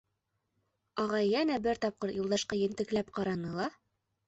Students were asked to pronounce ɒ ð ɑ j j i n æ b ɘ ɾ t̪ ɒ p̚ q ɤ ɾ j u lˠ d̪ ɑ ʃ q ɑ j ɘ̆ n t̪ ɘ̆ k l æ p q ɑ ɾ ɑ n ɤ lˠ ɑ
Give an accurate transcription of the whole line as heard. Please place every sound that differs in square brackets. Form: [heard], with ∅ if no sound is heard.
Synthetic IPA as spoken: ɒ [ʁ] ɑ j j [æ] n æ b ɘ ɾ t̪ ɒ p̚ q ɤ ɾ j u lˠ d̪ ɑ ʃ q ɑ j ɘ̆ n t̪ ɘ̆ k l æ p q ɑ ɾ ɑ n ɤ lˠ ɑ